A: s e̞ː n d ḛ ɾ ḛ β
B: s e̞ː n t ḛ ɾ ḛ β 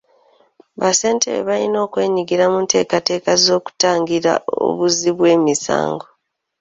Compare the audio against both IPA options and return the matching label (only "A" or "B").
B